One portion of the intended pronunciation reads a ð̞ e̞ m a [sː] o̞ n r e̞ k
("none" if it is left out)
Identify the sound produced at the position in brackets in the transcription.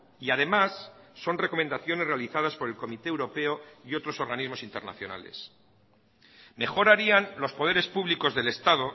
sː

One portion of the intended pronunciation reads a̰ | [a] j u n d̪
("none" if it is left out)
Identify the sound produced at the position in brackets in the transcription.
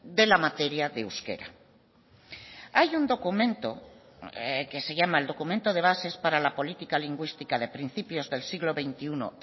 a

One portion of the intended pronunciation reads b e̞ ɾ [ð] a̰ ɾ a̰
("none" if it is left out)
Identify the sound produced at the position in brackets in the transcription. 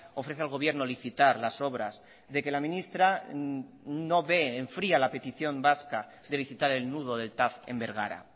ɣ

